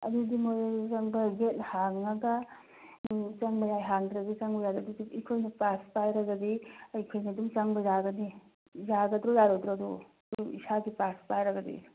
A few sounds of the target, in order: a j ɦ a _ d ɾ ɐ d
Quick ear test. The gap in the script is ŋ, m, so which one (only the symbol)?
ŋ